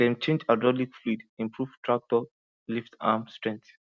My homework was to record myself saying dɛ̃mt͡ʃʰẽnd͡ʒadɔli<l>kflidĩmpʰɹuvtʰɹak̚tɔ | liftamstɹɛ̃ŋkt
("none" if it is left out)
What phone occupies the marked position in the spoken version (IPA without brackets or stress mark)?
none